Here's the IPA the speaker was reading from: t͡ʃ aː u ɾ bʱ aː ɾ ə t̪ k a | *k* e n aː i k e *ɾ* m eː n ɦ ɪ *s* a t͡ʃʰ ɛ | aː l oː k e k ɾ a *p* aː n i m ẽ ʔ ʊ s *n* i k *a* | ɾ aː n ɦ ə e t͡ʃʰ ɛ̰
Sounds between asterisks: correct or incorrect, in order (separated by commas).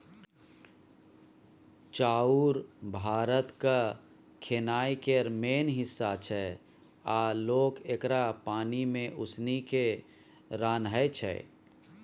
incorrect, correct, incorrect, correct, correct, incorrect